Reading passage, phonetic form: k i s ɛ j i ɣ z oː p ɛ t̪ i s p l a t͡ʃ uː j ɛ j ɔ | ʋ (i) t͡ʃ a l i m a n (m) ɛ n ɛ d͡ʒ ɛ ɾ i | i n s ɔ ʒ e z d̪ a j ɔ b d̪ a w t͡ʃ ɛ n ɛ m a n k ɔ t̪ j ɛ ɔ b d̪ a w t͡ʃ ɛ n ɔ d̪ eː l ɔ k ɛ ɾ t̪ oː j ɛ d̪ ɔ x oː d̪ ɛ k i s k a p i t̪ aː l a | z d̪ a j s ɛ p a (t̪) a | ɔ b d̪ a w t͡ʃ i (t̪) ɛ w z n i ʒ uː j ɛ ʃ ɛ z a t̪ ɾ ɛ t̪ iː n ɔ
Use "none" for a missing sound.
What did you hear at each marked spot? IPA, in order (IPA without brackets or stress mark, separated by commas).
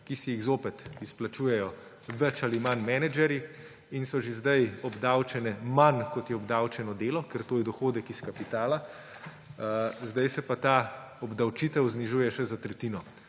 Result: ɛ, m, t̪, t̪